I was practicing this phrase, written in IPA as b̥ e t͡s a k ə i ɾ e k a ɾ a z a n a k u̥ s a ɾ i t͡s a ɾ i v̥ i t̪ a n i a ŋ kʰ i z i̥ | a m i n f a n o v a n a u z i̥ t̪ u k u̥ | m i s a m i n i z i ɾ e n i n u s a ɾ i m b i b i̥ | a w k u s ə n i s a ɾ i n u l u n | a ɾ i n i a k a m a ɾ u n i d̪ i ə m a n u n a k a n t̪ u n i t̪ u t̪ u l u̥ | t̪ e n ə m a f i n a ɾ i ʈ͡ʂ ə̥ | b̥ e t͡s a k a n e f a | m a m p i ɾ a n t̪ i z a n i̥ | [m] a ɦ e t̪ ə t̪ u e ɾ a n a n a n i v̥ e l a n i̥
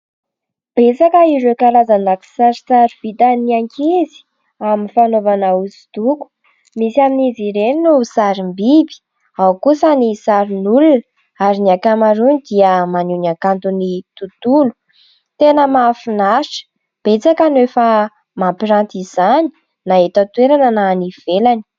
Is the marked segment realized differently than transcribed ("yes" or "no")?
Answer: yes